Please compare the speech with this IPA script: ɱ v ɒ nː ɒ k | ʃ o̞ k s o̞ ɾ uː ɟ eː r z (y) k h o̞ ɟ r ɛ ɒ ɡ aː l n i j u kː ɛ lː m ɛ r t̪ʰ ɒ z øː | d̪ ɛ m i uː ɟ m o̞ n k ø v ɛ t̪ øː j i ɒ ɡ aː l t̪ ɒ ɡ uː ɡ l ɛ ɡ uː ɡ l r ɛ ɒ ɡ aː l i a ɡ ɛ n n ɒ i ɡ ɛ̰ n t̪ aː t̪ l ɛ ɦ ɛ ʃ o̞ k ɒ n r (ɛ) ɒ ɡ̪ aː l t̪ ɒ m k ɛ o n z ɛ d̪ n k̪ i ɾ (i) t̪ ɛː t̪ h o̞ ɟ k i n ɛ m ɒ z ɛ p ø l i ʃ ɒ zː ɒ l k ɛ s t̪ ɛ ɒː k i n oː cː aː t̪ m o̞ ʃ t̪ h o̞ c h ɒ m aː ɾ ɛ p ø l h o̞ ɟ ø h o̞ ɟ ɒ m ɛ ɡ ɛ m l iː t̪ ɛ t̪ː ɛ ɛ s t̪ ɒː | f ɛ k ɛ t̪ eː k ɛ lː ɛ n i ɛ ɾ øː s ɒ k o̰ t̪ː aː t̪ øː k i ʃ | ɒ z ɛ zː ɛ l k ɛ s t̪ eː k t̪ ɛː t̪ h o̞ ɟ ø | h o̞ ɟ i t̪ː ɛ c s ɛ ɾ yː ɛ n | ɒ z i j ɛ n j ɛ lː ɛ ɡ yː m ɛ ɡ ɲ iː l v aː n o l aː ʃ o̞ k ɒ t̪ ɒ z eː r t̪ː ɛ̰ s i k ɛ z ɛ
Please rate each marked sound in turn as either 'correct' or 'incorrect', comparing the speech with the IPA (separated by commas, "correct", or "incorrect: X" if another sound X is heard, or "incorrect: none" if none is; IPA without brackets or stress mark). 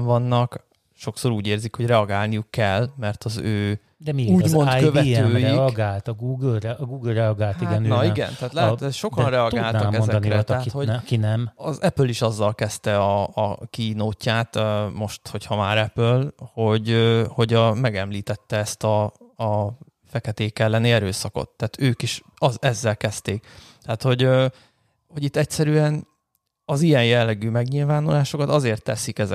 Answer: incorrect: i, correct, incorrect: ɛ